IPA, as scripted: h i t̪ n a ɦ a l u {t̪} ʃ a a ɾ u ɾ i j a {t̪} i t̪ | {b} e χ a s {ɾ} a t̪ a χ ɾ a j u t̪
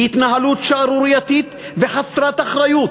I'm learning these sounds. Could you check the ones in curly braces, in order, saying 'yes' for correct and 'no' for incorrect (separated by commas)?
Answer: yes, yes, no, yes